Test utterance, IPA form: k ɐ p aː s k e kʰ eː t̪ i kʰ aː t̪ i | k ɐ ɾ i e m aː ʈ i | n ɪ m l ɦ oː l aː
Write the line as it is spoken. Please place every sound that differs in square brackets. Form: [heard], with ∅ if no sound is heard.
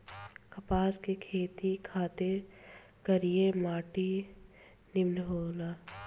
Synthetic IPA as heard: k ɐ p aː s k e kʰ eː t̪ i kʰ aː t̪ [e] | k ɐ ɾ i e m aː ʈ i | n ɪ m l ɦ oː l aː